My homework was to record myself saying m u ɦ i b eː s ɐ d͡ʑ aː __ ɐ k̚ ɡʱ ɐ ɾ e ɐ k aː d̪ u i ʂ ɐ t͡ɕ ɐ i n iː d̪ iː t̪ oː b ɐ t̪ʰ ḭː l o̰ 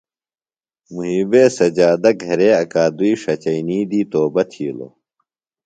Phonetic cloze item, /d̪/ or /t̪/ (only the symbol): d̪